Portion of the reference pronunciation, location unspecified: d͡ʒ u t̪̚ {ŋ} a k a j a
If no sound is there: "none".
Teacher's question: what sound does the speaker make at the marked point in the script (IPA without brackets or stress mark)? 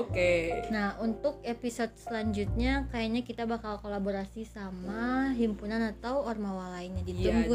ɲ